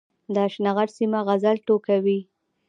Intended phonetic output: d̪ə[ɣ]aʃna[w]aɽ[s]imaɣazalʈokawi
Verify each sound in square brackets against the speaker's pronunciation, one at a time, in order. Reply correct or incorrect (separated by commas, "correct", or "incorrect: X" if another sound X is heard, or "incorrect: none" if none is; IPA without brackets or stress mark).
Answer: incorrect: none, incorrect: ɣ, correct